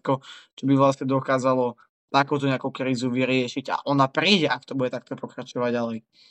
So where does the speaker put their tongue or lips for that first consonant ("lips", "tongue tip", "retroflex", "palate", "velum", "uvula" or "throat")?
velum